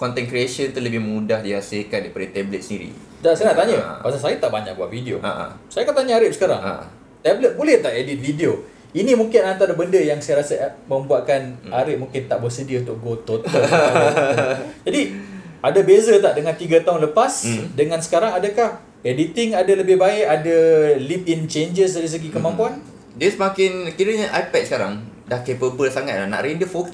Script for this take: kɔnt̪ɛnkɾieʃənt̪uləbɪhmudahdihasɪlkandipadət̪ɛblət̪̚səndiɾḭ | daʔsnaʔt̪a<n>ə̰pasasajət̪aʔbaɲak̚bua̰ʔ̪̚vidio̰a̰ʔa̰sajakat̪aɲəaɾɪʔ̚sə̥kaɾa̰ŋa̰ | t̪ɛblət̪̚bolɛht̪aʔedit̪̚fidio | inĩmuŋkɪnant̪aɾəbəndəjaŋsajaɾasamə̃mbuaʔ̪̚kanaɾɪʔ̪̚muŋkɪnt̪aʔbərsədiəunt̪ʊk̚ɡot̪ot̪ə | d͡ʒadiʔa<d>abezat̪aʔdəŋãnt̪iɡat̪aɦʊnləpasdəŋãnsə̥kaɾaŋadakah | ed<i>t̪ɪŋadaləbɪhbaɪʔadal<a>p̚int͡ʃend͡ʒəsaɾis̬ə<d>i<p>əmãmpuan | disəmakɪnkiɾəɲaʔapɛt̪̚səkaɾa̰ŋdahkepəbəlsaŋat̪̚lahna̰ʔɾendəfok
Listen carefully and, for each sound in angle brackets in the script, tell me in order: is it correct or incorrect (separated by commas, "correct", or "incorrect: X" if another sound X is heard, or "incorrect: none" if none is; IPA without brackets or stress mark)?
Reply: incorrect: ɲ, correct, correct, incorrect: i, incorrect: ɡ, incorrect: k